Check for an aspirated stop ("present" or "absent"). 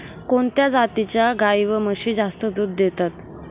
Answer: absent